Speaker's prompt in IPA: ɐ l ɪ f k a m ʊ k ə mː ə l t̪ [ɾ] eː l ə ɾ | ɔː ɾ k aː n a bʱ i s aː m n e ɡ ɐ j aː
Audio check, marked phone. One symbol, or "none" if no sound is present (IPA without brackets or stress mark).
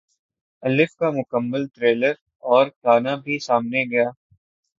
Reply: ɾ